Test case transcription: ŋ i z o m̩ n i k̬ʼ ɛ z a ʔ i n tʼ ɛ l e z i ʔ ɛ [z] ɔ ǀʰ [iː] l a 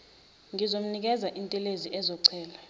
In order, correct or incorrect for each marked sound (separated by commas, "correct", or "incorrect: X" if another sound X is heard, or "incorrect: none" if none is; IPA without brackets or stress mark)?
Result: correct, incorrect: ɛː